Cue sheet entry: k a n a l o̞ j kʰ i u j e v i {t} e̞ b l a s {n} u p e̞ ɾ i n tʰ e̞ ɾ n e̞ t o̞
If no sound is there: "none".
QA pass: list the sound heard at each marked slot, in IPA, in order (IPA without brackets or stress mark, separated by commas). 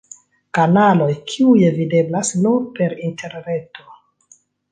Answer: d, n